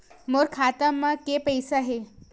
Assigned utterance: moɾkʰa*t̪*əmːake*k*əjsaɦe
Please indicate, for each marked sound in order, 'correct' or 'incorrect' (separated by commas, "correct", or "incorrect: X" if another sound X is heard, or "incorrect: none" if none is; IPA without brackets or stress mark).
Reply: correct, incorrect: p